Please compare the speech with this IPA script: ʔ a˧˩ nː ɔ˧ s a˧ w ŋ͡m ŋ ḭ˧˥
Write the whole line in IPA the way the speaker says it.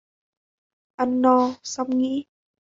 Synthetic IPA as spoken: ʔ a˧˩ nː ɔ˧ s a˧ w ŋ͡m ŋ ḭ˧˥